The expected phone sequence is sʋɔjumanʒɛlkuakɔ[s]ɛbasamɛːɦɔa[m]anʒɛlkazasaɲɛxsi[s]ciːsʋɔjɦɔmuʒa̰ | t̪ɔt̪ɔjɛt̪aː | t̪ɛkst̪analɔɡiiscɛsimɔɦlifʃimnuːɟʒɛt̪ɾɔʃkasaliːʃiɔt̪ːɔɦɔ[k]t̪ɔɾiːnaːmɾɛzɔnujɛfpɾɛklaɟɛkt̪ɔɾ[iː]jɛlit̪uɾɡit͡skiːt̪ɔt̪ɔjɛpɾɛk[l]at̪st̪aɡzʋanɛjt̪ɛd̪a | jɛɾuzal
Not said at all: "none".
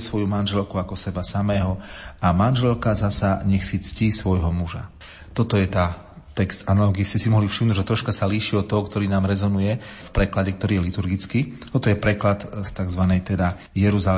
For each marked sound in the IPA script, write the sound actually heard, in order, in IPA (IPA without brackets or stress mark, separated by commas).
s, m, t͡s, k, iː, l